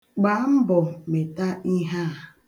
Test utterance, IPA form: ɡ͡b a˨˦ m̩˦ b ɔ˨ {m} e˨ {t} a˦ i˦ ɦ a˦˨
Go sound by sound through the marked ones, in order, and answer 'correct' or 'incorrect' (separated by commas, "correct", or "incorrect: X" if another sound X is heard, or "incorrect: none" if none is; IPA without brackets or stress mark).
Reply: correct, correct